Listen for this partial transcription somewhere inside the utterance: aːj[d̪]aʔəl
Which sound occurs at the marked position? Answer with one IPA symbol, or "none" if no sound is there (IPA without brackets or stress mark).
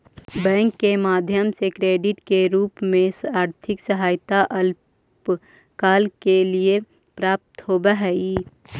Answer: t̪